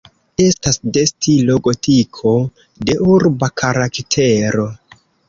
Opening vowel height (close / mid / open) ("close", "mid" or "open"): mid